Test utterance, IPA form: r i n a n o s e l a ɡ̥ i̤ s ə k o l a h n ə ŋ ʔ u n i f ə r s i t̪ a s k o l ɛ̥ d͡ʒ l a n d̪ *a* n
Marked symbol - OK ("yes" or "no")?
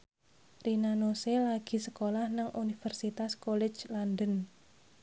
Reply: no